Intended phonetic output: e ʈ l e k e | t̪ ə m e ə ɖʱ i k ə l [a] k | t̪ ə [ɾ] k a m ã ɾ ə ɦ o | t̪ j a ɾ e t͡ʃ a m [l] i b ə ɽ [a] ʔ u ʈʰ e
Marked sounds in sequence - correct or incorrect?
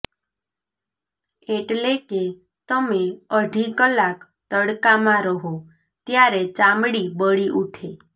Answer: correct, incorrect: ɽ, incorrect: ɽ, incorrect: i

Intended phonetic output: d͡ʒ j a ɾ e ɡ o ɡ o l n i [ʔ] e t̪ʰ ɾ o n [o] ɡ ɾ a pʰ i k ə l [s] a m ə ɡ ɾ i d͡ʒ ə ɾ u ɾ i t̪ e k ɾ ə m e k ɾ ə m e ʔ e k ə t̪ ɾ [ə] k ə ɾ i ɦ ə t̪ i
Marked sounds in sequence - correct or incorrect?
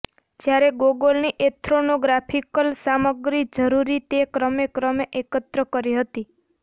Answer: correct, correct, correct, correct

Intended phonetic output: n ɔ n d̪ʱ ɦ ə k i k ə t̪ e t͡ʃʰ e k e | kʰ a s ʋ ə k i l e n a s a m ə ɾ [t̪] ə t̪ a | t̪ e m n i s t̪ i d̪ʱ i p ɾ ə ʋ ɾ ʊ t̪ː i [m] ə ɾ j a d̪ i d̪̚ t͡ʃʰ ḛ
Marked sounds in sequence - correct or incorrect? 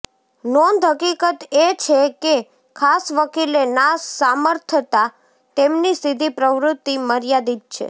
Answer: incorrect: t̪ʰ, correct

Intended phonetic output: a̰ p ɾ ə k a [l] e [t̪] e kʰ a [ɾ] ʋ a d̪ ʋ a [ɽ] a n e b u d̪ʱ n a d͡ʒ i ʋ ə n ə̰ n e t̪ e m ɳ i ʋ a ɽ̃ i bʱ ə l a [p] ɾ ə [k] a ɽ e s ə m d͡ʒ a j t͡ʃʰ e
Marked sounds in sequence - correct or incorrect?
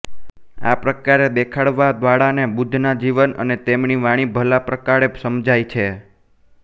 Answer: incorrect: ɾ, incorrect: d̪, incorrect: ɽ, correct, correct, correct

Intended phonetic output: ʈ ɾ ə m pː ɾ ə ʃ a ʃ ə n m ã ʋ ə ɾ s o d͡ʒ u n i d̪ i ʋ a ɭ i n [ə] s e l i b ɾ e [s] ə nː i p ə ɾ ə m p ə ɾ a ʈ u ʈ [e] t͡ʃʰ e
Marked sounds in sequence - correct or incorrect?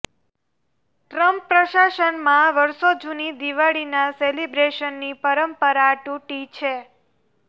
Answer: incorrect: a, incorrect: ʃ, incorrect: i

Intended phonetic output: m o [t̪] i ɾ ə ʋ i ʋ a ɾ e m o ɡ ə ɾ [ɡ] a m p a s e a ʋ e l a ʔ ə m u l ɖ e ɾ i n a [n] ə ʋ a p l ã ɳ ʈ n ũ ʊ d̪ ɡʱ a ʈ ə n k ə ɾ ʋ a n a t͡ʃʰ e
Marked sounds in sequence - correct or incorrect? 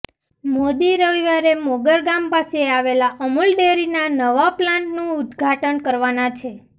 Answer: incorrect: d̪, correct, correct

